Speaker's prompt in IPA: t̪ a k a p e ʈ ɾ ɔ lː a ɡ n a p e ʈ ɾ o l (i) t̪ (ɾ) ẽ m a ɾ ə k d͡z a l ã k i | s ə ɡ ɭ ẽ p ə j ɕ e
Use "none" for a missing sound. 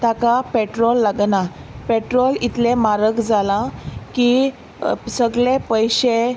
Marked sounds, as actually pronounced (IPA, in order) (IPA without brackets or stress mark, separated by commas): i, l